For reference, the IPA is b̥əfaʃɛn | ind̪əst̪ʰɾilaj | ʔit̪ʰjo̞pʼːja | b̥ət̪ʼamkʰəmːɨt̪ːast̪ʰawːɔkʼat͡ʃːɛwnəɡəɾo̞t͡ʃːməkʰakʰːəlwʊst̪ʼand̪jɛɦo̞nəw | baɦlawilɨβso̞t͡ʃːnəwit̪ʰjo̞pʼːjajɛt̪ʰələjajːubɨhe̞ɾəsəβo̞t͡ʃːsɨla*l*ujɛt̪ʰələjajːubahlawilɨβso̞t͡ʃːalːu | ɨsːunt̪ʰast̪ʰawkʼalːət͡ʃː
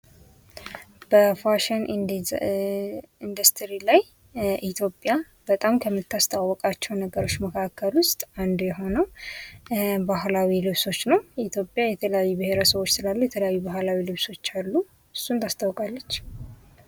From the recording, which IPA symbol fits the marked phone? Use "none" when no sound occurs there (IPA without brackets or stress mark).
lː